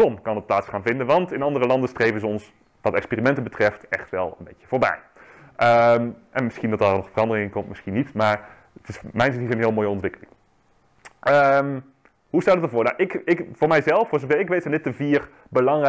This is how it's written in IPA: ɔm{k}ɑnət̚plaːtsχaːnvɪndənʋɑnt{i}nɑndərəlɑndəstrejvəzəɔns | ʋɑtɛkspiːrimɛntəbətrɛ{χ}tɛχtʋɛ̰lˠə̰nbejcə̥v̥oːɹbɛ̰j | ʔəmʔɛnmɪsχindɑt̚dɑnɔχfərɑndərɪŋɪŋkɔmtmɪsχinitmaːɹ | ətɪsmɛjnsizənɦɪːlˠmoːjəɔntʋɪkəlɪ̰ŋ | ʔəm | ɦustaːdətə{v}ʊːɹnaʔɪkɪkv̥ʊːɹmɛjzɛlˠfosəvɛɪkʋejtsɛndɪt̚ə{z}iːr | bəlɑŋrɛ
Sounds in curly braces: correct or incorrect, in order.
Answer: correct, incorrect: ɪ, incorrect: f, correct, incorrect: v

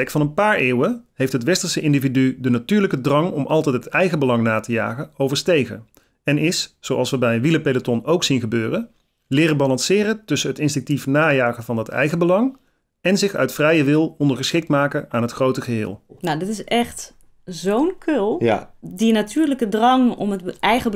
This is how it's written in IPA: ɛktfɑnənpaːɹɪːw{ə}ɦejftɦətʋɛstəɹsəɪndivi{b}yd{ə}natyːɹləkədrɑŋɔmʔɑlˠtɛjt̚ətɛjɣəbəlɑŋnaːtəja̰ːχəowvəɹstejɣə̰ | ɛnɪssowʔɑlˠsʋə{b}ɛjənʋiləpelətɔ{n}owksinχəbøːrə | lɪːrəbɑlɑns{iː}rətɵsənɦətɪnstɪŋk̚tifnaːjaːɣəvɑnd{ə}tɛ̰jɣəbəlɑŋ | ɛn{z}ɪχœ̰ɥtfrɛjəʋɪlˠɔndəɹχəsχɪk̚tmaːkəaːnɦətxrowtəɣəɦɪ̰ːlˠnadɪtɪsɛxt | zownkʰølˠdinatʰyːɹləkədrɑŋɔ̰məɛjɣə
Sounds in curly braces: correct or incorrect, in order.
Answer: correct, incorrect: d, correct, correct, correct, incorrect: ɪː, incorrect: ɑ, correct

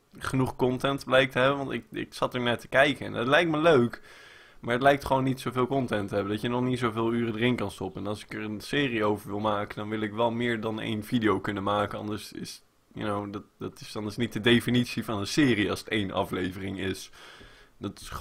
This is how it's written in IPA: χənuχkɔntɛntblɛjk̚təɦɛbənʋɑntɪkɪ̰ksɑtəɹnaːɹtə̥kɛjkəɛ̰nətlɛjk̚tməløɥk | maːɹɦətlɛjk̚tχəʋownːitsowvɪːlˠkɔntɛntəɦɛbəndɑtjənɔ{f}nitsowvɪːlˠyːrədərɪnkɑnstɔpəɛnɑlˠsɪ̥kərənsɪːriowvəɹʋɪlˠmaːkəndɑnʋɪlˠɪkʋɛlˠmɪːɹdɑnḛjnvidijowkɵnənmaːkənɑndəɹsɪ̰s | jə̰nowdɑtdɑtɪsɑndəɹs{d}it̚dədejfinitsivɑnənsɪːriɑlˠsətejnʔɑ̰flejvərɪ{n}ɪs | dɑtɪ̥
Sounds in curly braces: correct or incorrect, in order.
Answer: incorrect: χ, incorrect: n, incorrect: ŋ

